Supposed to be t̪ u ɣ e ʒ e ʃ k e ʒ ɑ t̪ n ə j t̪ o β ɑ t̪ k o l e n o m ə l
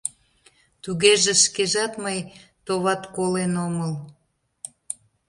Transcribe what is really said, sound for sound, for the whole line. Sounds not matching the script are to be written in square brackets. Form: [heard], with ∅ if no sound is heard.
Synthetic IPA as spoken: t̪ u ɣ e ʒ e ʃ k e ʒ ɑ t̪ [m] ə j t̪ o β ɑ t̪ k o l e n o m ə l